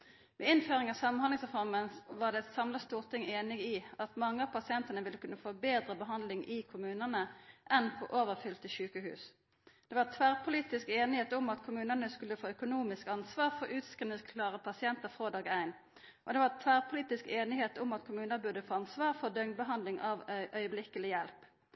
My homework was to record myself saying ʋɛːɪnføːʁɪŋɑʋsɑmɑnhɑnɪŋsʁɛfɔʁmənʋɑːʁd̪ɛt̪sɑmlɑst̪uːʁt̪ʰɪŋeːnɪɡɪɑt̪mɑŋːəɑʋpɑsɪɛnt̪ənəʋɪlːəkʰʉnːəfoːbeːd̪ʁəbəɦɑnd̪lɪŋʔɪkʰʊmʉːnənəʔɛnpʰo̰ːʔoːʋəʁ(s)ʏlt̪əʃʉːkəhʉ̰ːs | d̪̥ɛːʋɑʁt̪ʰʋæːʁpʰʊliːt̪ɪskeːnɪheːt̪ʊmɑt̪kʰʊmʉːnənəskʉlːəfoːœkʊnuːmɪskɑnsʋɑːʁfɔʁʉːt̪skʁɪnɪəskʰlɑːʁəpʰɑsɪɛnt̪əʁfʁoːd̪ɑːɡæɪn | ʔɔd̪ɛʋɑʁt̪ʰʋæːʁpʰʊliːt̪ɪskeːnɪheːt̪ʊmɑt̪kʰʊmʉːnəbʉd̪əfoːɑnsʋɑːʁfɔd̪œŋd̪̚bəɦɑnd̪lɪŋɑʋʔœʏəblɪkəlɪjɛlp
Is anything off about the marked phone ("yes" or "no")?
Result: yes